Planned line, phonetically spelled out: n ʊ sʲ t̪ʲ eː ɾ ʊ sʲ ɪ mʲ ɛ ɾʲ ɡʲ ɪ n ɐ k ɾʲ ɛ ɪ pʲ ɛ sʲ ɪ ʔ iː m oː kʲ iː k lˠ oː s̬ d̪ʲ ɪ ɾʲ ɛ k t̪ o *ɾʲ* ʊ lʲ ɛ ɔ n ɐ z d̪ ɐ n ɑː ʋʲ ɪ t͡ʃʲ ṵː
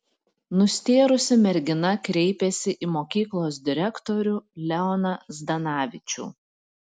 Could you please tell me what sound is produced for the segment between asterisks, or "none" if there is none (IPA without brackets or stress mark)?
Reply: ɾʲ